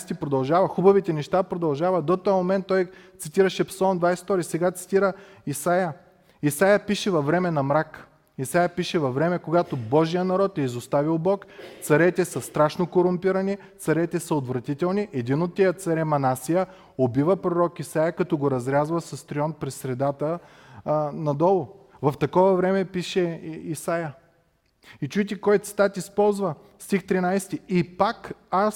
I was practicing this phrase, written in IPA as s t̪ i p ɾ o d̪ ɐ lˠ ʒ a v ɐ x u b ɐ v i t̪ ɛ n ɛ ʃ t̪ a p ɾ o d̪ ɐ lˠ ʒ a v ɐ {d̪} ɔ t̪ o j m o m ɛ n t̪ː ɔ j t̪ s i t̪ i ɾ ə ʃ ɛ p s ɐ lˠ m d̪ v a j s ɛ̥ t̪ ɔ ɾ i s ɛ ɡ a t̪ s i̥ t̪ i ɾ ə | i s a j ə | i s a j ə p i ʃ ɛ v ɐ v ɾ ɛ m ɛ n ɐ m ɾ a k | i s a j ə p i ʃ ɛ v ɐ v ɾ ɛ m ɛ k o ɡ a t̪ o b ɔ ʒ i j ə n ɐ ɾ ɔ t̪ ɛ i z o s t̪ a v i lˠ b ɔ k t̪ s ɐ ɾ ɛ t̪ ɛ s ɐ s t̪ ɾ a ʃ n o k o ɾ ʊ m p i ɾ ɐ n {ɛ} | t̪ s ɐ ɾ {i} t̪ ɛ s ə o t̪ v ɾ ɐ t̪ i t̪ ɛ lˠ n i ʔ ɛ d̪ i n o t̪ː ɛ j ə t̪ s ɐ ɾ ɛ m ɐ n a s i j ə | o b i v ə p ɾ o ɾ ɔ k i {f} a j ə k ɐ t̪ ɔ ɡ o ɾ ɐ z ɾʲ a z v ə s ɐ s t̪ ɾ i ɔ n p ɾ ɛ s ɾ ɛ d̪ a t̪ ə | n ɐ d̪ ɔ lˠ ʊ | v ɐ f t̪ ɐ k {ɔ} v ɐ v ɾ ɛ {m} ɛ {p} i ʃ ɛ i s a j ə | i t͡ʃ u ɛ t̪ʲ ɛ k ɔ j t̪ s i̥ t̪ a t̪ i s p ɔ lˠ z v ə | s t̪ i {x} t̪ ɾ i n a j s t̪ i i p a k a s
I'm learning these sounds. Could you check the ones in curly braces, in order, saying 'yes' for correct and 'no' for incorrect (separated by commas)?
yes, no, no, no, yes, yes, yes, yes